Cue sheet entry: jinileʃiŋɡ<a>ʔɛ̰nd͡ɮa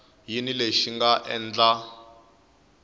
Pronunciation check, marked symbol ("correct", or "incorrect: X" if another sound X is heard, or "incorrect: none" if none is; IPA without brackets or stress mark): correct